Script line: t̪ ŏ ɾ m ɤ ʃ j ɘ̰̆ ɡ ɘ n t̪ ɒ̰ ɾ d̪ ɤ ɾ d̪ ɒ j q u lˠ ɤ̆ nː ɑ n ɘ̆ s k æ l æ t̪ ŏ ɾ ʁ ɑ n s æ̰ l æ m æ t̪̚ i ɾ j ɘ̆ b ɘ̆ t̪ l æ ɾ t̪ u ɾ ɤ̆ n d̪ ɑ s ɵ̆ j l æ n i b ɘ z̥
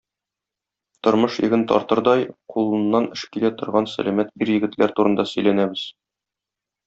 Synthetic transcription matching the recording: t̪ ŏ ɾ m ɤ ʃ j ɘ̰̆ ɡ ɘ n t̪ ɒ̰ ɾ t̪ ɤ ɾ d̪ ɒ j q u lˠ ɤ̆ nː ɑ n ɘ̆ ʃ k i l æ t̪ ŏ ɾ ʁ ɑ n s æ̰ l æ m æ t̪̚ i ɾ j ɘ̆ ɡ ɘ̆ t̪ l æ ɾ t̪ u ɾ ɤ̆ n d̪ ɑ s ɵ̆ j l æ n æ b ɘ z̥

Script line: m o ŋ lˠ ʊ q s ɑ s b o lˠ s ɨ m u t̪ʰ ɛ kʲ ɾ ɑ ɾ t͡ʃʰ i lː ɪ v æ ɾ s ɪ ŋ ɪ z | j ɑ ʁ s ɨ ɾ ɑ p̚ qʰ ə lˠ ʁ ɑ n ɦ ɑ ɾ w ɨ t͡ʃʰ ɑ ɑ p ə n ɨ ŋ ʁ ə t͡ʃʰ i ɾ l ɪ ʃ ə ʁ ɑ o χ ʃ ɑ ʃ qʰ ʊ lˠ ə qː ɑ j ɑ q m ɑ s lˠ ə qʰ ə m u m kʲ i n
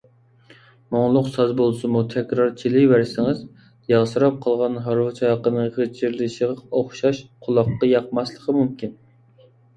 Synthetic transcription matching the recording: m o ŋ lˠ ʊ q s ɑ z b o lˠ s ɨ m u t̪ʰ ɛ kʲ ɾ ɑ ɾ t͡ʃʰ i l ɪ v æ ɾ s ɪ ŋ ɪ z | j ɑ ʁ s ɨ ɾ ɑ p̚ qʰ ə lˠ ʁ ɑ n ɦ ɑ ɾ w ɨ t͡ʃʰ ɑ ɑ q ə n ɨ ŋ ʁ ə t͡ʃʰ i ɾ l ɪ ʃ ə ʁ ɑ o χ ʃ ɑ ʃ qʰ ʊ lˠ ɑ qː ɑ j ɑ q m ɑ s lˠ ə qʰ ə m u m kʲ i n

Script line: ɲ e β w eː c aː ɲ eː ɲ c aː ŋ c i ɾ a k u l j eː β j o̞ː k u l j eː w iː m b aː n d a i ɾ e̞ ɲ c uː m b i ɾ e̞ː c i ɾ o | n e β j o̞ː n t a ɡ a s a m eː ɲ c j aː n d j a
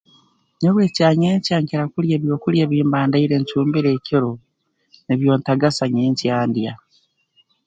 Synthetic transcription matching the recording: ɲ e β w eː c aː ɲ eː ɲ c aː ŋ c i ɾ a k u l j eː β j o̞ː k u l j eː β iː m b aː n d a i ɾ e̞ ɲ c uː m b i ɾ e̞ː c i ɾ o | n e β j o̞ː n t a ɡ a s a ɲ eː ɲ c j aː n d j a

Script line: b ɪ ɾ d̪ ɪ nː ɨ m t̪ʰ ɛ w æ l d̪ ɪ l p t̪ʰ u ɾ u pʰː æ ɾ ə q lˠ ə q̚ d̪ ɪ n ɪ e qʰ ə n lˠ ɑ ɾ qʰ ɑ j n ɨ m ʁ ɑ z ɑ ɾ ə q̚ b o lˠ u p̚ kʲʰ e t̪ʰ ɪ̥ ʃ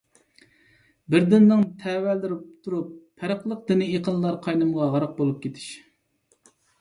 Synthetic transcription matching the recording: b ɪ ɾ d̪ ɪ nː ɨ ŋ t̪ʰ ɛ w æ l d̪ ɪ ɾ p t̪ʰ u ɾ u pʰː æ ɾ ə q lˠ ə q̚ d̪ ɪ n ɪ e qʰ ə n lˠ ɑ ɾ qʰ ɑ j n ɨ m ʁ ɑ ʁ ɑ ɾ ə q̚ b o lˠ u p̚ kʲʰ e t̪ʰ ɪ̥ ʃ

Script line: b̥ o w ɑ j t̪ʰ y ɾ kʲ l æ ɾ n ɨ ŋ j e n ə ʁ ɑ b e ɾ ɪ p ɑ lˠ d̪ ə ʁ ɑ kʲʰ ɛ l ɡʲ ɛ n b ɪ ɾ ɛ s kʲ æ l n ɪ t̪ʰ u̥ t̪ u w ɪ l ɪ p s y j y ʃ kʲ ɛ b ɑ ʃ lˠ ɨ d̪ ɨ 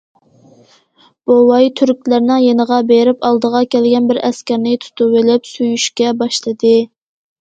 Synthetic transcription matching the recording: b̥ o w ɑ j t̪ʰ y ɾ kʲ l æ ɾ n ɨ ŋ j e n ə ʁ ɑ b e ɾ ɪ p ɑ lˠ d̪ ə ʁ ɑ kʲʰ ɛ l ɡʲ ɛ n b ɪ ɾ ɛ s kʲ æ ɾ n ɪ t̪ʰ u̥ t̪ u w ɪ l ɪ p s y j y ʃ kʲ ɛ b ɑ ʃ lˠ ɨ d̪ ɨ

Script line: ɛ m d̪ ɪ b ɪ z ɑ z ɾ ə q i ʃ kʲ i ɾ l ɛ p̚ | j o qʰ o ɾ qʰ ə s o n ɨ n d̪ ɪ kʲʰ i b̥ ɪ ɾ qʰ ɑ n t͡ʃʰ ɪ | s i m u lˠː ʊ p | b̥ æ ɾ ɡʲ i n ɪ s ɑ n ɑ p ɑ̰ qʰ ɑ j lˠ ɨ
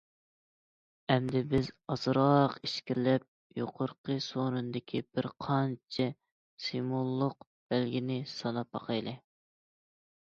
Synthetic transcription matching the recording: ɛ m d̪ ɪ b ɪ z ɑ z ɾ ɑ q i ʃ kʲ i ɾ l ɛ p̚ | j o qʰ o ɾ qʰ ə s o n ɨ n d̪ ɪ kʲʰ i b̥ ɪ ɾ qʰ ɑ n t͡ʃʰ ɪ | s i m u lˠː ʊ q | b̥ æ l ɡʲ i n ɪ s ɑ n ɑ p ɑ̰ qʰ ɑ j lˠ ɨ

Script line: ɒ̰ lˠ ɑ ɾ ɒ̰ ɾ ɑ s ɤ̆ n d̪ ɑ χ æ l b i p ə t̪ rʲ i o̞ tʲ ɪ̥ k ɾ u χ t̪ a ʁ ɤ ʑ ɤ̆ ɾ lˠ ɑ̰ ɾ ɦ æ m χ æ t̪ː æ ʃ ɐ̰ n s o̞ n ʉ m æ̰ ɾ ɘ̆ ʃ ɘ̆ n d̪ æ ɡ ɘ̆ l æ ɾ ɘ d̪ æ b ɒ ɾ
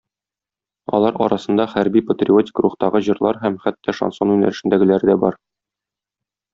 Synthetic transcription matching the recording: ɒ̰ lˠ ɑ ɾ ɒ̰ ɾ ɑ s ɤ̆ n d̪ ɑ χ æ ɾ b i p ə t̪ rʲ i o̞ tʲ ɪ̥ k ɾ u χ t̪ ɑ ʁ ɤ ʑ ɤ̆ ɾ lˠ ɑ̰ ɾ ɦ æ m χ æ t̪ː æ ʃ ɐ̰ n s o̞ n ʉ n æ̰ ɾ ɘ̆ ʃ ɘ̆ n d̪ æ ɡ ɘ̆ l æ ɾ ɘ d̪ æ b ɒ ɾ

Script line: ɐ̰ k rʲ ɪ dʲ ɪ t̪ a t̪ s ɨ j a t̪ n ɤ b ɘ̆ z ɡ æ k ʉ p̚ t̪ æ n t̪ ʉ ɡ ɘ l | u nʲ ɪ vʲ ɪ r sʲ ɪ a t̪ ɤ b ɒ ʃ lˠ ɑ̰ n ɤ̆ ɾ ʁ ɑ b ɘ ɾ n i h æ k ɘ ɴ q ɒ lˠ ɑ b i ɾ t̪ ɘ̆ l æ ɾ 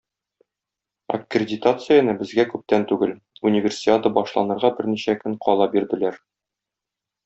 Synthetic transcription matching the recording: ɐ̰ k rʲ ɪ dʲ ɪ t̪ a t̪ s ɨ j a n ɤ b ɘ̆ z ɡ æ k ʉ p̚ t̪ æ n t̪ ʉ ɡ ɘ l | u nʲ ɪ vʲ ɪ r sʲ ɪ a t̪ ɤ b ɒ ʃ lˠ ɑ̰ n ɤ̆ ɾ ʁ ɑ b ɘ ɾ n i ɕ æ k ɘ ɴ q ɒ lˠ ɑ b i ɾ d̪ ɘ̆ l æ ɾ

